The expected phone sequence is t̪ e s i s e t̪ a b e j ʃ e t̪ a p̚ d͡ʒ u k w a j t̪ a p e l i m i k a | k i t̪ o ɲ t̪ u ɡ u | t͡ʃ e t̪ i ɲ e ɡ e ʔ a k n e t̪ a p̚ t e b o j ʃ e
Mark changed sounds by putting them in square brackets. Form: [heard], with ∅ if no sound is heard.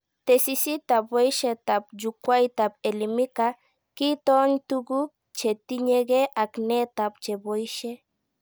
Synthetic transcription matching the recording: t̪ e s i s [i] t̪ a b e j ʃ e t̪ a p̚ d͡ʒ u k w a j t̪ a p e l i m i k a | k i t̪ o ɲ t̪ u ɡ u | t͡ʃ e t̪ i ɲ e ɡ e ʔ a k n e t̪ a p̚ [t͡ʃ] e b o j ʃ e